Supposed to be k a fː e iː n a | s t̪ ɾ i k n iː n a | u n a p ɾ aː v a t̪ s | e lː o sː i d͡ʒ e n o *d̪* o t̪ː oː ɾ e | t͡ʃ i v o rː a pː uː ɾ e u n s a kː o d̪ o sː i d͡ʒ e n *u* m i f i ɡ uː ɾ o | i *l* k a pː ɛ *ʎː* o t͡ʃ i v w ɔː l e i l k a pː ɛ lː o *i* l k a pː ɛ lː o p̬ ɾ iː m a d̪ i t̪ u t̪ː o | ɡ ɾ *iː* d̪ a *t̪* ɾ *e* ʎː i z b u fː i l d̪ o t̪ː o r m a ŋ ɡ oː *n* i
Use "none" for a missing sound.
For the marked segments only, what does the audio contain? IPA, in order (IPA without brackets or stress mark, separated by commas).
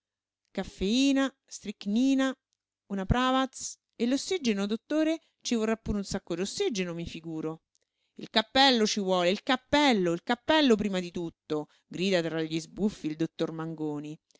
d̪, o, l, lː, i, iː, t̪, a, n